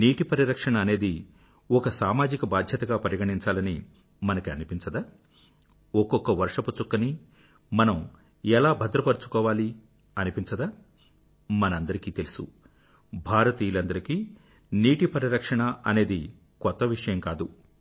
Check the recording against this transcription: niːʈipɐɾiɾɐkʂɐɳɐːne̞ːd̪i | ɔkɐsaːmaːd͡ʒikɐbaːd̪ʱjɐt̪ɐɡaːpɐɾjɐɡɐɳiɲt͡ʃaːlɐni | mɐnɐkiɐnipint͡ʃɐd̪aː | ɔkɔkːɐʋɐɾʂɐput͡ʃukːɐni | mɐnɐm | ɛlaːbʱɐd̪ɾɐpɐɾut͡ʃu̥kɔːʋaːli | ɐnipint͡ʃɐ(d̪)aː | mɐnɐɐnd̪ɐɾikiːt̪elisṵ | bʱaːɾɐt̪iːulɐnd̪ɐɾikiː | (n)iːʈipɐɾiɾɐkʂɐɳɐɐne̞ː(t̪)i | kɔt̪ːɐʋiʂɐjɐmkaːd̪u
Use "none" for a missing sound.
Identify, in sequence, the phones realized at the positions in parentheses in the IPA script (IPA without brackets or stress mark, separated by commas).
d̪, n, d̪